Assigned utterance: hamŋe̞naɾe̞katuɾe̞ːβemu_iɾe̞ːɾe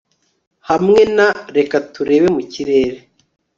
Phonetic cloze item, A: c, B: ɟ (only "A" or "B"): A